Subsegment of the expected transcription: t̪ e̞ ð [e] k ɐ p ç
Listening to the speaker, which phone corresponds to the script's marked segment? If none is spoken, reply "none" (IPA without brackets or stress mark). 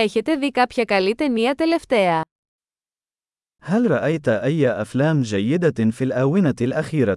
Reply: i